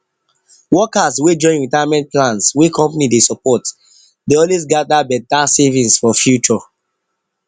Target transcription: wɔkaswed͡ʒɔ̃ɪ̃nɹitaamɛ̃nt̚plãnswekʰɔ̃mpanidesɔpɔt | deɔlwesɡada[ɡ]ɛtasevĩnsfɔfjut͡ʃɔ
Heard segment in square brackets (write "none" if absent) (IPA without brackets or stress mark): b